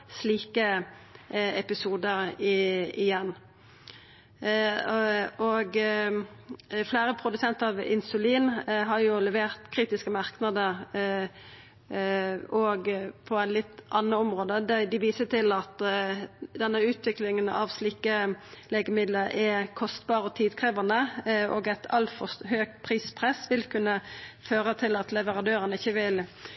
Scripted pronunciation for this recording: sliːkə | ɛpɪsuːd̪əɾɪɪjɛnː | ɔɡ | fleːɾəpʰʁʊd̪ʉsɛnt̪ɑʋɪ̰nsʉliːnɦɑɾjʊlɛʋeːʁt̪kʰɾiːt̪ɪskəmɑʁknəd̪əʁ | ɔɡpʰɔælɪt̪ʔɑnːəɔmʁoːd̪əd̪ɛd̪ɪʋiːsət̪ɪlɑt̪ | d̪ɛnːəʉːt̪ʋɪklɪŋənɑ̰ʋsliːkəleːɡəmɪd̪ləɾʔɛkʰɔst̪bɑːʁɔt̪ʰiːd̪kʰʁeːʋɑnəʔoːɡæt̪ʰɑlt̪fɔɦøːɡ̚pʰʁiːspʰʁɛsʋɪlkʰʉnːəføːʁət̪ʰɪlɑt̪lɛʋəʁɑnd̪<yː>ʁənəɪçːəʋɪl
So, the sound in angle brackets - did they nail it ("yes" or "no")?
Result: no